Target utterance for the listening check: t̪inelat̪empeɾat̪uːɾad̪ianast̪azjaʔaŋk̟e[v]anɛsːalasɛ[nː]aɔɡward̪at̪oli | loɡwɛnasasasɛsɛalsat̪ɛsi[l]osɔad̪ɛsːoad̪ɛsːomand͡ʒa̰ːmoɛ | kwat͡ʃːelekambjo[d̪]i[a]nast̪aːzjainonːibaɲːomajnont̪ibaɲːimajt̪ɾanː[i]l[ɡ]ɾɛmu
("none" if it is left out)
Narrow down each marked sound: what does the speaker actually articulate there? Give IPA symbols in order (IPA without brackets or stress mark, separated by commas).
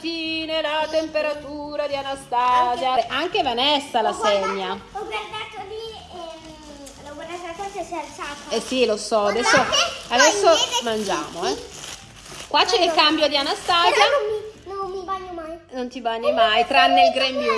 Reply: v, ɲː, l, d̪, a, e, ɡ